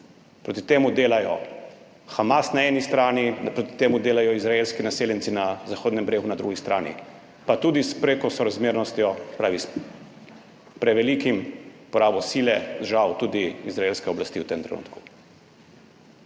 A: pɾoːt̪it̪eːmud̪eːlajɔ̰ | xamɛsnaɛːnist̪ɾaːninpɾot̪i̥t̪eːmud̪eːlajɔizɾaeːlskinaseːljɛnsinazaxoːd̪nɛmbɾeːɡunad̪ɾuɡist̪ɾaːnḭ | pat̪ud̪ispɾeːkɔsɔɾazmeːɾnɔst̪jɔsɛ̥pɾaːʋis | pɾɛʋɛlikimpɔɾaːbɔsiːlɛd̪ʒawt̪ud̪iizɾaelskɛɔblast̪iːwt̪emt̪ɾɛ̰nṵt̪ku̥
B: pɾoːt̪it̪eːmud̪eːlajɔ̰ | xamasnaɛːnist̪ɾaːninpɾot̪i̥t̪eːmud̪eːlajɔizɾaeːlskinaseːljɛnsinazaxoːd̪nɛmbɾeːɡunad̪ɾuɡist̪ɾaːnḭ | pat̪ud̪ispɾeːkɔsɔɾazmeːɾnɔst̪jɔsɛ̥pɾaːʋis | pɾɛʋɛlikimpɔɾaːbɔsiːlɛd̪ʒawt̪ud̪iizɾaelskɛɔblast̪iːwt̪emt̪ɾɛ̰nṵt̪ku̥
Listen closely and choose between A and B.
B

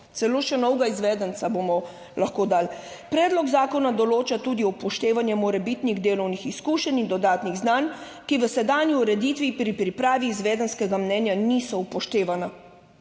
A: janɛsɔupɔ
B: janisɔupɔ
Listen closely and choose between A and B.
B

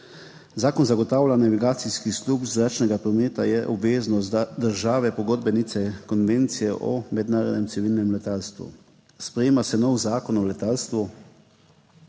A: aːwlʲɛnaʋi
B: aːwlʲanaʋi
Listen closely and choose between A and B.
B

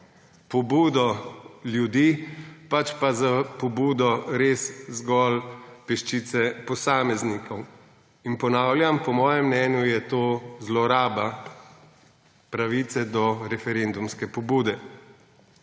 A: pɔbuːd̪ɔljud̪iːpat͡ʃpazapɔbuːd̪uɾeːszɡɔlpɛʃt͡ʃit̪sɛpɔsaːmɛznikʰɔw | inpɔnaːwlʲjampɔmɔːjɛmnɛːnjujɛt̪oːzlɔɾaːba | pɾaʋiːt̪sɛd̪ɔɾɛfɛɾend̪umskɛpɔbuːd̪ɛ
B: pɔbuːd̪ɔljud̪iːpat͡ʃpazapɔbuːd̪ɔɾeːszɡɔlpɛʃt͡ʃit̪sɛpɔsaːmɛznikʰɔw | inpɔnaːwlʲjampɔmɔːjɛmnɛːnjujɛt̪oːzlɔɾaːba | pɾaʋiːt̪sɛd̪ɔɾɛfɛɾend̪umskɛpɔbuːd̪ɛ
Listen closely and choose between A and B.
B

